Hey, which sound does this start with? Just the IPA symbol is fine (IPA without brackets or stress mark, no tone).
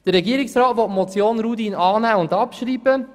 d̥